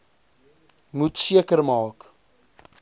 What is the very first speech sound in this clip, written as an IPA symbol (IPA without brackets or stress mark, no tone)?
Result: m